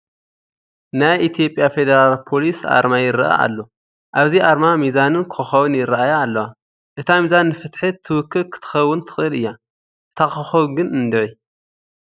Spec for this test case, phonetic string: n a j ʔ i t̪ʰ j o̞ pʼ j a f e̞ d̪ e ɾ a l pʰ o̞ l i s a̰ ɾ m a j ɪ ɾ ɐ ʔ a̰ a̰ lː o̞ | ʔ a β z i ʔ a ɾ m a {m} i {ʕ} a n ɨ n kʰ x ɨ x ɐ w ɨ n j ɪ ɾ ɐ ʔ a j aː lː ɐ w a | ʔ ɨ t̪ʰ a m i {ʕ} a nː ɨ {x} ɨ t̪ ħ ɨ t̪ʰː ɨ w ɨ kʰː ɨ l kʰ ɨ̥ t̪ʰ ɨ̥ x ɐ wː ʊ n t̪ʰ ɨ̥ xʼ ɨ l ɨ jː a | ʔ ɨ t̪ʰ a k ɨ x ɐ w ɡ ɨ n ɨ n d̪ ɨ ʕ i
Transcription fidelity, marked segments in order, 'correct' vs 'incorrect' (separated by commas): correct, incorrect, incorrect, incorrect